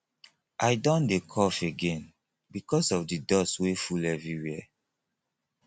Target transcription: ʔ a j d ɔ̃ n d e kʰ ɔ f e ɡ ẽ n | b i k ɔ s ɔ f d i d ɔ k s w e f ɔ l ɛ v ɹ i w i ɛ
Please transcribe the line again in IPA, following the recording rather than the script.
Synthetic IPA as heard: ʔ a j d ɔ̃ n d e kʰ ɔ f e ɡ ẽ n | b i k ɔ s ɔ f d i d ɔ s w e f u l ɛ v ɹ i w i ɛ